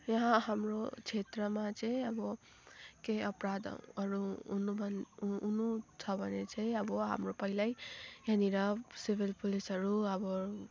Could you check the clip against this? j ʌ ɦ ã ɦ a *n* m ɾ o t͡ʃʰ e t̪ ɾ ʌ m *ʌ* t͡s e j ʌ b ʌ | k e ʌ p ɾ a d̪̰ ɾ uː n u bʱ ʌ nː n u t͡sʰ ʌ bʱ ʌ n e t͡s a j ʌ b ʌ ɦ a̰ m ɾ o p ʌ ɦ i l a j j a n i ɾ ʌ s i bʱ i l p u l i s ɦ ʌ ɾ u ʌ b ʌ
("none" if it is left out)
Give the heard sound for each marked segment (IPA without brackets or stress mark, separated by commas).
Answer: none, a